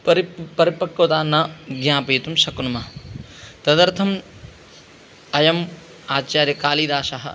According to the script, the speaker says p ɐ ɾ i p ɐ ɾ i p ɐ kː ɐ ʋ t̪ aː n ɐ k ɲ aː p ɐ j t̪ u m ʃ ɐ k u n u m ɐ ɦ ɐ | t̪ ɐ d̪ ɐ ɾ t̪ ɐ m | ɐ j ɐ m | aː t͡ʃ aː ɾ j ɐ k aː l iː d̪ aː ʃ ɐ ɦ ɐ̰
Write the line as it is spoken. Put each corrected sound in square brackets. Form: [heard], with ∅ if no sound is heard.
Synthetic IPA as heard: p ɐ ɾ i p ɐ ɾ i p ɐ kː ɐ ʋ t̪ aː n ɐ [ɡ] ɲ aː p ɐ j t̪ u m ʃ ɐ k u n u m ɐ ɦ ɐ | t̪ ɐ d̪ ɐ ɾ [t̪ʰ] ɐ m | ɐ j ɐ m | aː t͡ʃ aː ɾ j ɐ k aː l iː d̪ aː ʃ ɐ ɦ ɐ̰